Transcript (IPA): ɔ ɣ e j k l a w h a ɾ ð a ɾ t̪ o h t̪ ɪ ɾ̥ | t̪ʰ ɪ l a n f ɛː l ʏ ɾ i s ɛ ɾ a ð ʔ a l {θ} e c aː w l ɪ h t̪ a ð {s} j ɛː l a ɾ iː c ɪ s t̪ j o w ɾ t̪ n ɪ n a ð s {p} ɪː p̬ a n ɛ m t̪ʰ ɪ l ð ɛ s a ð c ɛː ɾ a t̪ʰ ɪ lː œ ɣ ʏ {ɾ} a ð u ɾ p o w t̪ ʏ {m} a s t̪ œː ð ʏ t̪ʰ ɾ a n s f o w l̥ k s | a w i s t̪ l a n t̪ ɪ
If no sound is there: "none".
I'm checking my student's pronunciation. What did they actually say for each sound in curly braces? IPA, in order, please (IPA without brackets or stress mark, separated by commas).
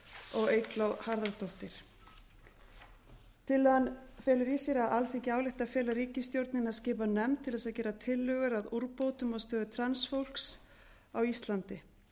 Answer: θ, f, c, ɾ, m